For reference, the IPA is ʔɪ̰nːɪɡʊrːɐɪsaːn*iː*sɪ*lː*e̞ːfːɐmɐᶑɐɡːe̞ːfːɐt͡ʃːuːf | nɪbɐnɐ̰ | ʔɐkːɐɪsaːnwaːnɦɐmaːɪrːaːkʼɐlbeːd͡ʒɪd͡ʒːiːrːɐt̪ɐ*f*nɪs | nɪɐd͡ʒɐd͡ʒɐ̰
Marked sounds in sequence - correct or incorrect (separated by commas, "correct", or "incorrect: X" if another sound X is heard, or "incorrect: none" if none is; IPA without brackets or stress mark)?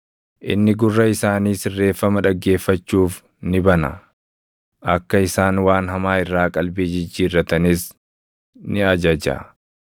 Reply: correct, incorrect: rː, incorrect: none